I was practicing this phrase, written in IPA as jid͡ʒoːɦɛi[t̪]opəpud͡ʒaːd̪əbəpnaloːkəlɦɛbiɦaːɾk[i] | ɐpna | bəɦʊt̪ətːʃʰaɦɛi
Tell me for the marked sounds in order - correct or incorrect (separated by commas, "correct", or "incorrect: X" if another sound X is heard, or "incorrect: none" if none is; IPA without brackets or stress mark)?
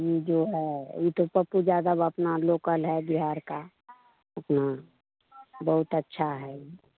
correct, incorrect: a